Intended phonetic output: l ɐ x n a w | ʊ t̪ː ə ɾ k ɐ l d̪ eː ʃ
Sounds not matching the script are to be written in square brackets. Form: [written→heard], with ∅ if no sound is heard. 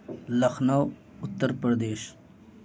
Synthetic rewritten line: l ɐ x n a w | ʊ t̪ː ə ɾ [k→p] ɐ [l→ɾ] d̪ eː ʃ